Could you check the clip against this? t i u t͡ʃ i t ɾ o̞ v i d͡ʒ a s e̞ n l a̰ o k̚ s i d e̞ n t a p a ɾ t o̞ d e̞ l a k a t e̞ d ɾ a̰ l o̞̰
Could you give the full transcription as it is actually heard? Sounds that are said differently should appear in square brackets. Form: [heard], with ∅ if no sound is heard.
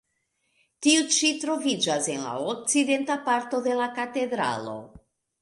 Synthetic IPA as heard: t i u t͡ʃ i t ɾ o̞ v i d͡ʒ a s e̞ n l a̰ o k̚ [t͡s] i d e̞ n t a p a ɾ t o̞ d e̞ l a k a t e̞ d ɾ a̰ l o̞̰